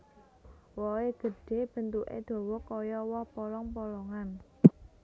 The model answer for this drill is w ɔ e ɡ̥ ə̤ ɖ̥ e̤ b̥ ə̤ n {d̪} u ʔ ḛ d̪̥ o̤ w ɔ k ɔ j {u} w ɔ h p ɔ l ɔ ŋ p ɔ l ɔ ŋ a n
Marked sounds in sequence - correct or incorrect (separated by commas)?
incorrect, incorrect